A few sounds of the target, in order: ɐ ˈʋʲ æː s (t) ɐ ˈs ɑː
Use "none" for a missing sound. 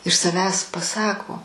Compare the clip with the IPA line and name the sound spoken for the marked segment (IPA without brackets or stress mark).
p